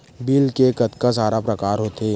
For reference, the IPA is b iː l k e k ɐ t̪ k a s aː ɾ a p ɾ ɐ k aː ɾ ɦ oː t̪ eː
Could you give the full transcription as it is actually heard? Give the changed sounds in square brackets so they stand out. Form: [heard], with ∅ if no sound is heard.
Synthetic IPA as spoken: b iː l k e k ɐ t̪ k a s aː ɾ a p ɾ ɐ k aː ɾ ɦ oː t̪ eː